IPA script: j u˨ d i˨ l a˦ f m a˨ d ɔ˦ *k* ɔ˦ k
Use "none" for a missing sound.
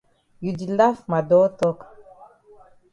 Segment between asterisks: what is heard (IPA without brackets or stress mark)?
t